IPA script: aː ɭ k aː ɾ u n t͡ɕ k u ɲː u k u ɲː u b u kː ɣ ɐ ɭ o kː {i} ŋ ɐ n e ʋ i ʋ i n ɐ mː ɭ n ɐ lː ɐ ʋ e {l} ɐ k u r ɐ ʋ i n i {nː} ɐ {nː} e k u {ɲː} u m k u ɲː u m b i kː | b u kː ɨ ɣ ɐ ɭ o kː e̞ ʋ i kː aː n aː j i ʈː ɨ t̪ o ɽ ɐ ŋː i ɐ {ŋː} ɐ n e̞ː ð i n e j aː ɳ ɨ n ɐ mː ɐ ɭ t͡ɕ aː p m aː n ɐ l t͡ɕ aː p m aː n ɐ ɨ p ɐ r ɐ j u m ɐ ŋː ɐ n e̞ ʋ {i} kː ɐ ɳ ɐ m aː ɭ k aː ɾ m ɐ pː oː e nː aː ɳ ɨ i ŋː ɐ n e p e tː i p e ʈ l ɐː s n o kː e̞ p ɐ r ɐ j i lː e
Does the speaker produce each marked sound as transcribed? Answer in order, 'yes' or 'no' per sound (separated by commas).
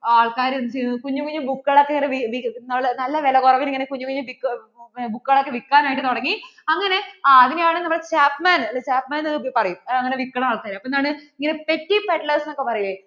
no, yes, no, no, yes, yes, yes